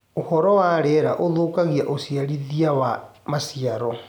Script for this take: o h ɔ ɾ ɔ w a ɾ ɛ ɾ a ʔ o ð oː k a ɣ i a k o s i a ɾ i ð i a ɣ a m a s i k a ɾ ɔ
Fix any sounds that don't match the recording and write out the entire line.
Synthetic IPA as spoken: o h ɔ ɾ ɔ w a ɾ ɛ ɾ a ʔ o ð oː k a ɣ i a ʔ o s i a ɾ i ð i a w a m a s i a ɾ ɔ